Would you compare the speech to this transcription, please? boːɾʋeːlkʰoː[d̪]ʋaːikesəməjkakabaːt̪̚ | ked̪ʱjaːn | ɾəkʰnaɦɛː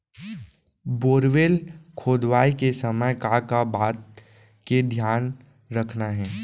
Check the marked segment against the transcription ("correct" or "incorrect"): correct